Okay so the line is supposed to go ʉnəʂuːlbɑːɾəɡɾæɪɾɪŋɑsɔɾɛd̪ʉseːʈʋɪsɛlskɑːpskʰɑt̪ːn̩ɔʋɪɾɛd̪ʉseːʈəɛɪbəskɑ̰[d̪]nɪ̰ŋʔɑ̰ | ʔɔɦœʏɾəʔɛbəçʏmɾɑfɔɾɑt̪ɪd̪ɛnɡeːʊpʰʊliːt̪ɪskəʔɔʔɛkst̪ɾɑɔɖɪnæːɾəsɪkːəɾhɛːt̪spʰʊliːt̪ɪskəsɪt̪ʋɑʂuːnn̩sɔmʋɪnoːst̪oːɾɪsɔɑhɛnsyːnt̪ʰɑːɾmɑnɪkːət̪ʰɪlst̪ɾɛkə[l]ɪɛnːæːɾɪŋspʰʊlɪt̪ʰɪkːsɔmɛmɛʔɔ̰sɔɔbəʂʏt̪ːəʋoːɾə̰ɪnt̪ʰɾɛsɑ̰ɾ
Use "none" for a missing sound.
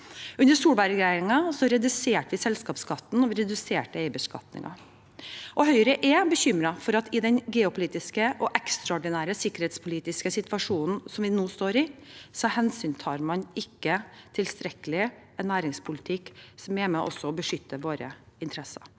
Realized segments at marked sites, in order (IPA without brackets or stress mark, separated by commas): t̪, l